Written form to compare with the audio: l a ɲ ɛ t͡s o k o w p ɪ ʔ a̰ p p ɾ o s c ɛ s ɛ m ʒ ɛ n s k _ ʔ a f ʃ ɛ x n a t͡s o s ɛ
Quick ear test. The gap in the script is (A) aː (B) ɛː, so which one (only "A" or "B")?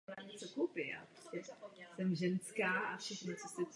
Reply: A